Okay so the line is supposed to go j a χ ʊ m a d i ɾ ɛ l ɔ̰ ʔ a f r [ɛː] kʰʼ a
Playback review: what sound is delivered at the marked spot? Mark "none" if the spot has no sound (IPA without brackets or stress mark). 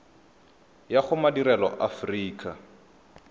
iː